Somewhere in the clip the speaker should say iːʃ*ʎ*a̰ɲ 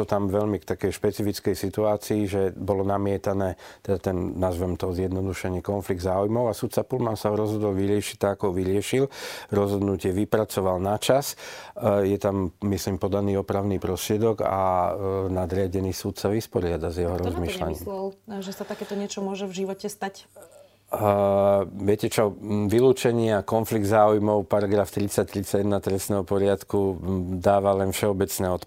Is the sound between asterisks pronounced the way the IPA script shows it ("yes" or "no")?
no